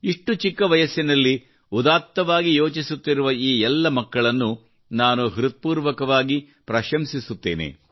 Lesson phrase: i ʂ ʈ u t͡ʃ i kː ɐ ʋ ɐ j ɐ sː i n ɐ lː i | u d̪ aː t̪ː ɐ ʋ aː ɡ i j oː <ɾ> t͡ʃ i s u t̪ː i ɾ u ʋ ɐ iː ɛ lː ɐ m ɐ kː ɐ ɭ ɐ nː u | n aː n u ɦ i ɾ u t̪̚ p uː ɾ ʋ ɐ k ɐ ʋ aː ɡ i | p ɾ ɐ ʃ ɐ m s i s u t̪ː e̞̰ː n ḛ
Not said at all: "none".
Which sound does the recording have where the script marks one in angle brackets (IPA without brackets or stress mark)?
none